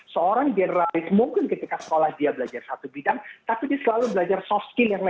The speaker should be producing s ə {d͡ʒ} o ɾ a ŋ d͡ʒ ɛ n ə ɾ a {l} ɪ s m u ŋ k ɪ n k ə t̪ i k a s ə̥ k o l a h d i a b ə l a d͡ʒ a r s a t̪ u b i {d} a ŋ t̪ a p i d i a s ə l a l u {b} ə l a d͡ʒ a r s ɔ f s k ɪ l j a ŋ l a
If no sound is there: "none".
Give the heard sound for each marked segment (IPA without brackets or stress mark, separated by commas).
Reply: none, l, d, b